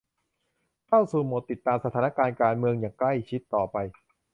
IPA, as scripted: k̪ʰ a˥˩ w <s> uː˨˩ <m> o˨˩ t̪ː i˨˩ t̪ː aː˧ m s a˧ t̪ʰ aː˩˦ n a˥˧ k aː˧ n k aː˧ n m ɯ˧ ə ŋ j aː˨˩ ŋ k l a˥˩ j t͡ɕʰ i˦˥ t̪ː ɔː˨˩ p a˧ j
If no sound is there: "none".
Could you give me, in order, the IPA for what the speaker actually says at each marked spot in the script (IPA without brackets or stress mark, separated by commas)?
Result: s, m